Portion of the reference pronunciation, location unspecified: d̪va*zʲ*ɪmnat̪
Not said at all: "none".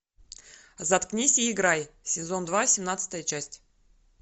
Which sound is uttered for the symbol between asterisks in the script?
sʲ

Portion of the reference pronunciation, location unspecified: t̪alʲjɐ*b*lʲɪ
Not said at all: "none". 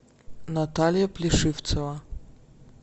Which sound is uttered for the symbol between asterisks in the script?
p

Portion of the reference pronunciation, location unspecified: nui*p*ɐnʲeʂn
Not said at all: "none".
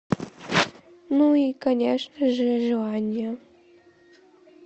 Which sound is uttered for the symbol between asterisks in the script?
k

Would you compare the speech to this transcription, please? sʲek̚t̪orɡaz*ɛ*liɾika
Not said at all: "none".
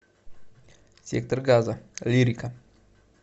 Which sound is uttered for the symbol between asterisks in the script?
a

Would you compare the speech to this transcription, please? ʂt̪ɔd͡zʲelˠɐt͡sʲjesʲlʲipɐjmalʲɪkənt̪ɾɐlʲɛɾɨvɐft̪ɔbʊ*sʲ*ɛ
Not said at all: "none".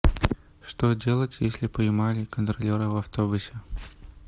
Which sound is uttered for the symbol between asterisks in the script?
sʲ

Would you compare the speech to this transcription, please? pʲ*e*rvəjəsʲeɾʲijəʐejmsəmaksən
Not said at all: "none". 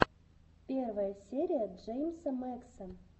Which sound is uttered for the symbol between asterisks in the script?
e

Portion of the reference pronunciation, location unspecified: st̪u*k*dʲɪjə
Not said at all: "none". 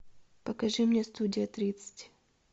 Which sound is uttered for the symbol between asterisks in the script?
none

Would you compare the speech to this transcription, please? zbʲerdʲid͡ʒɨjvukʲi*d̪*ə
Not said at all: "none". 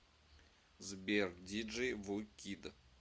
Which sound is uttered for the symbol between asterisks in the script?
d̪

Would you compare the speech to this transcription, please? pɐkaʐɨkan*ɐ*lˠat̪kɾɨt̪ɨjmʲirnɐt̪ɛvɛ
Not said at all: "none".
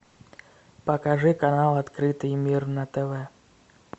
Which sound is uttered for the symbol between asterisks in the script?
a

